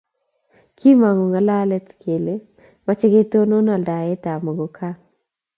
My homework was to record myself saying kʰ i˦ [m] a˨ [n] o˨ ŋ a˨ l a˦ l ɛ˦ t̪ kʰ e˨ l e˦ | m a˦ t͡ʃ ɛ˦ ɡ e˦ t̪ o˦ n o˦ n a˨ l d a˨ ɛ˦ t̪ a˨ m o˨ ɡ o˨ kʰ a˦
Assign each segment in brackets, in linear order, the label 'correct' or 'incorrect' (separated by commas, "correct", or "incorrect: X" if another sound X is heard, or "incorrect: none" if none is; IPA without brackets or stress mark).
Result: correct, incorrect: ŋ